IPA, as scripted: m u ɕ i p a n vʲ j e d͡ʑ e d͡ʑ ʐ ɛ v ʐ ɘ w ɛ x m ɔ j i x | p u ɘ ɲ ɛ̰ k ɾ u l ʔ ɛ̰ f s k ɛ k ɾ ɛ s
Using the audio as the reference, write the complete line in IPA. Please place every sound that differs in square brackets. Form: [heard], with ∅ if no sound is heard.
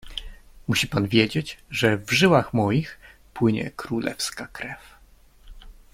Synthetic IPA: m u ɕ i p a n vʲ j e d͡ʑ e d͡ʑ ʐ ɛ v ʐ ɘ w [a] x m ɔ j i x | p [w] ɘ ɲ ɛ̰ k ɾ u l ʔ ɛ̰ f s k [a] k ɾ ɛ [f]